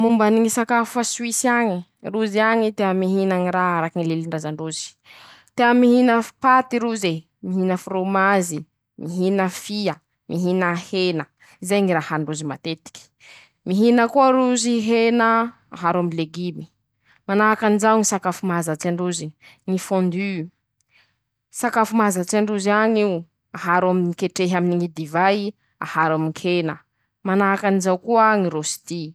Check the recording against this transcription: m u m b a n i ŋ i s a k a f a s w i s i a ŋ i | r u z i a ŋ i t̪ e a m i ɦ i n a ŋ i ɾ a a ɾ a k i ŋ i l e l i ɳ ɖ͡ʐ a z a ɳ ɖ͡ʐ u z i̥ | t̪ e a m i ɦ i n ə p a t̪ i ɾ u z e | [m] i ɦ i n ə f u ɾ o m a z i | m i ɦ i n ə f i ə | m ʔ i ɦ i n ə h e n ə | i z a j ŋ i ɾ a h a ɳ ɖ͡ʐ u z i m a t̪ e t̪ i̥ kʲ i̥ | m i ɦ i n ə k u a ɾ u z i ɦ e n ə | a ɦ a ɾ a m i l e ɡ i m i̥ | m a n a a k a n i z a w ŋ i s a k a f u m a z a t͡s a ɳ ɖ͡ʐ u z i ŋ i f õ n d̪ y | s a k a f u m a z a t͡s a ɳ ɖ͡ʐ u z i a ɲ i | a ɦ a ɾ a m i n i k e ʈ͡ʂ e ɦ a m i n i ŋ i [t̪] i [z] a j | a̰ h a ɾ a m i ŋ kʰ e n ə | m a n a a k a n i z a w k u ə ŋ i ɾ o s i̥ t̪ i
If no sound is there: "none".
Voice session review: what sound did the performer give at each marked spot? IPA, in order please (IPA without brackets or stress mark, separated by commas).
m, d̪, v